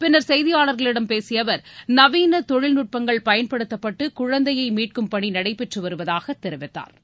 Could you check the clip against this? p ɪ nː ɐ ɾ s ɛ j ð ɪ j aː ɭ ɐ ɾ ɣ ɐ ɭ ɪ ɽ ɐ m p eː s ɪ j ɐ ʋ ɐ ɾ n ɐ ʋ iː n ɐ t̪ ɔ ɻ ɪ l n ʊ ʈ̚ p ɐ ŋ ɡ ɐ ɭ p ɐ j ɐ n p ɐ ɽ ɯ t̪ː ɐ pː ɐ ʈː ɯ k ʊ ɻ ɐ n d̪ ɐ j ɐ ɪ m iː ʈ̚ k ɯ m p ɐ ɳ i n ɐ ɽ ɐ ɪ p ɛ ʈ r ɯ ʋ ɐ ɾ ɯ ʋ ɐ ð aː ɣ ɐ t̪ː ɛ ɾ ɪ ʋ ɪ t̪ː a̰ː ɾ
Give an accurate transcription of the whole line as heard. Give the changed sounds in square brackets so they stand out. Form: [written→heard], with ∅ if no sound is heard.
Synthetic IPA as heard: p ɪ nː ɐ ɾ s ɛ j ð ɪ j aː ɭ ɐ ɾ ɣ ɐ ɭ ɪ ɽ ɐ m p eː s ɪ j ɐ ʋ ɐ ɾ n ɐ ʋ iː n ɐ t̪ ɔ ɻ ɪ l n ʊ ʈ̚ p ɐ ŋ ɡ ɐ ɭ p ɐ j ɐ n p ɐ ɽ ɯ t̪ː ɐ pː ɐ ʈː ɯ k ʊ ɻ ɐ n d̪ ɐ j ɐ ɪ m iː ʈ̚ k ɯ m p ɐ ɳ i n ɐ ɽ ɐ ɪ p ɛ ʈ r ɯ ʋ ɐ ɾ ɯ ʋ ɐ ð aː ɣ ɐ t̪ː ɛ ɾ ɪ ʋ ɪ t̪ː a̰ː ɾ